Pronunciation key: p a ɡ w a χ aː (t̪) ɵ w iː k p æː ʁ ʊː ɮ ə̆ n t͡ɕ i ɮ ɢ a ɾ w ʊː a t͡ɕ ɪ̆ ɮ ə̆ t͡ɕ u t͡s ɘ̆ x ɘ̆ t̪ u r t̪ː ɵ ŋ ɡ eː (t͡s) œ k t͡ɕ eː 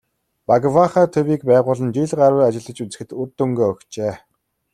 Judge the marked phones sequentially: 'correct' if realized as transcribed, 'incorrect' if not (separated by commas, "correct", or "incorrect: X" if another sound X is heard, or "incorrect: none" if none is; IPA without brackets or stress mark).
incorrect: t̪ʰ, incorrect: none